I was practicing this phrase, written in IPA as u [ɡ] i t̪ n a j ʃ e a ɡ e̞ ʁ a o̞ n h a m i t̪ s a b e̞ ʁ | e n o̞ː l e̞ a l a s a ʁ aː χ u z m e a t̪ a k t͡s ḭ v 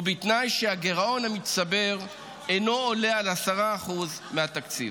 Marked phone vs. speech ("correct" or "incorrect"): incorrect